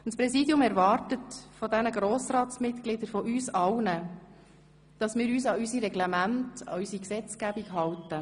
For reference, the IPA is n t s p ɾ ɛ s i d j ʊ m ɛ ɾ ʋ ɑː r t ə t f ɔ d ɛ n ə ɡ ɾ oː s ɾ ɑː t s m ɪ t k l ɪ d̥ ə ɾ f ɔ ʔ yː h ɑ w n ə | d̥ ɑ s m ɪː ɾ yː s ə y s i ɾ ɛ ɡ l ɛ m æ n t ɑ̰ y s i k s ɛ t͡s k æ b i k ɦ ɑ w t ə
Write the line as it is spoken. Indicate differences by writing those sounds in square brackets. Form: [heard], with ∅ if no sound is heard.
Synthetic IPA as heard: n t s p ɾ ɛ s i d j ʊ m ɛ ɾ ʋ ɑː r t ə t f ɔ d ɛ n ə ɡ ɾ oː s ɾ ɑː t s m ɪ t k l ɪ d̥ ə ɾ f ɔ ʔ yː [s] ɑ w n ə | d̥ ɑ s m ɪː ɾ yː s [ɑ] y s i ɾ ɛ ɡ l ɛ m æ n t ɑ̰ y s i k s ɛ t͡s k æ b i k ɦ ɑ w t ə